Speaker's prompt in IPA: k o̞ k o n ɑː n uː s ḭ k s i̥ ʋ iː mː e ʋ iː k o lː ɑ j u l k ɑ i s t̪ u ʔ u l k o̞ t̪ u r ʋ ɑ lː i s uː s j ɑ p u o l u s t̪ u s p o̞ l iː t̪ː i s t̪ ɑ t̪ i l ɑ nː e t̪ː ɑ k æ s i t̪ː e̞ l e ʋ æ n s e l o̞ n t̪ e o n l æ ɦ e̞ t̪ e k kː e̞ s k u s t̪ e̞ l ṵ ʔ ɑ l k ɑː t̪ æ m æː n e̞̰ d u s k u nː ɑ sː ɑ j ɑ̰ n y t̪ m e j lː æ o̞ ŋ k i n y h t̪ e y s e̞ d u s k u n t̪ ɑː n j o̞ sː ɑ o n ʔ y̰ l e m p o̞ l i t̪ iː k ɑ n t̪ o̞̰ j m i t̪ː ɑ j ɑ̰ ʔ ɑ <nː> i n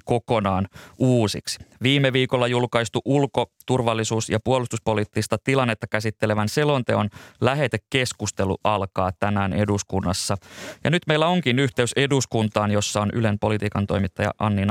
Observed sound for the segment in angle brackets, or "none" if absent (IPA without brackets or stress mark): nː